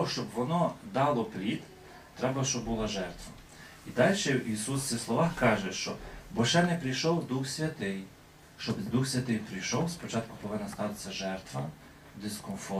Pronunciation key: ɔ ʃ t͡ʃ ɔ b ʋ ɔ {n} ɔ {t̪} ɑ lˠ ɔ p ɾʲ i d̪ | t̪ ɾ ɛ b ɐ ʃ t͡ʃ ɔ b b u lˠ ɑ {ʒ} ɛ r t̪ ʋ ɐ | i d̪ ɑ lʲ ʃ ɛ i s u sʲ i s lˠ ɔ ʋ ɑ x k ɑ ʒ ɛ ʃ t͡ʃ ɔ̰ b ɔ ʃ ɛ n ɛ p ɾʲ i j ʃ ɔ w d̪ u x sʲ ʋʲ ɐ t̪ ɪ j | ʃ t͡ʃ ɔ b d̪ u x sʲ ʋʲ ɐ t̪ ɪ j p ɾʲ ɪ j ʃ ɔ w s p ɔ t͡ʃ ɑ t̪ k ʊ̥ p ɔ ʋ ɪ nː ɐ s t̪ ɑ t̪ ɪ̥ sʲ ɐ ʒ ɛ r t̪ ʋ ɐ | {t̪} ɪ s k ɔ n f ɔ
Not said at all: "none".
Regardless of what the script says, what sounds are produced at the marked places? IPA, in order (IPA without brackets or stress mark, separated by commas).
n, d̪, ʒ, d̪